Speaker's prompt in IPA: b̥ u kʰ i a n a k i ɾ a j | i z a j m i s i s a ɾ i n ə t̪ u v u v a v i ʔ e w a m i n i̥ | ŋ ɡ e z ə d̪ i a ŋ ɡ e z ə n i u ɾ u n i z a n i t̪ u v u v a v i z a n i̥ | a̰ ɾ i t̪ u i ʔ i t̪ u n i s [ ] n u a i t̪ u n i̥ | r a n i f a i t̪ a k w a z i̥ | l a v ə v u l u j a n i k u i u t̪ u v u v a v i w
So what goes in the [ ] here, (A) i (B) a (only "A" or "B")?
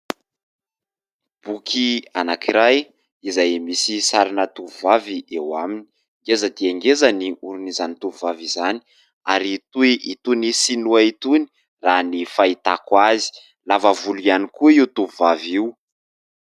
A